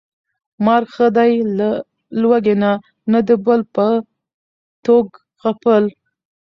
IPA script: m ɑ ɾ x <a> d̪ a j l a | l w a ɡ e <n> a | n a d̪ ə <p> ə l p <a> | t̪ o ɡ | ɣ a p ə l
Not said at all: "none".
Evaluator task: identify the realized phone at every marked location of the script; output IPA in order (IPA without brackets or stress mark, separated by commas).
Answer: ə, n, b, ə